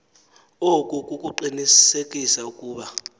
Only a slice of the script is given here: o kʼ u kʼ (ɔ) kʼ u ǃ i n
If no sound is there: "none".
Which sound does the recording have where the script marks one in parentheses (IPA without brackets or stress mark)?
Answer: u